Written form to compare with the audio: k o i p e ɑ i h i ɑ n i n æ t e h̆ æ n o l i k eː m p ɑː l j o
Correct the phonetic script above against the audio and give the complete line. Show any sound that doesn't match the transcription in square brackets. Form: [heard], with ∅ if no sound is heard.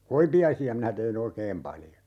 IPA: k o i p [i] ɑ i [s] i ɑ [m] i n æ t e h̆ [i] n o [∅] i k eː m p [ɑ] l j o